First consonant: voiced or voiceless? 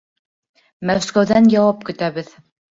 voiced